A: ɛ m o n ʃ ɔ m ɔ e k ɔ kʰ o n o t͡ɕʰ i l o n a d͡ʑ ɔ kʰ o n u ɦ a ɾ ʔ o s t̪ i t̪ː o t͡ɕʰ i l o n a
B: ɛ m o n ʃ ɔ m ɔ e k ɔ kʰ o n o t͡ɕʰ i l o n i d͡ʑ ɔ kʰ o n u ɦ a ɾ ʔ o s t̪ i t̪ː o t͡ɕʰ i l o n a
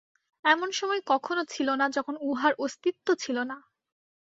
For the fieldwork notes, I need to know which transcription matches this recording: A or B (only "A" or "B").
A